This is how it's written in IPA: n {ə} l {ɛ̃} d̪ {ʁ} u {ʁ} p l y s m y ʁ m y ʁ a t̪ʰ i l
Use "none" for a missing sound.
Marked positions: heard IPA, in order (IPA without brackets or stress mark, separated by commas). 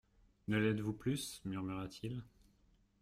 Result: ə, ɛ, v, none